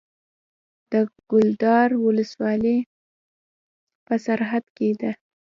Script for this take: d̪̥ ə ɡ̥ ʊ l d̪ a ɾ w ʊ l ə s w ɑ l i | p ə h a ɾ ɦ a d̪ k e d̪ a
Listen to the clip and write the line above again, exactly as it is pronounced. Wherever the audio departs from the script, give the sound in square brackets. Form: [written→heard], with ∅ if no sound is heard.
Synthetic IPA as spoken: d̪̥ ə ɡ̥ ʊ l d̪ [a→ɑ] ɾ w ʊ l ə s w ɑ l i | p ə [h→s] a ɾ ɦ a d̪ k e d̪ a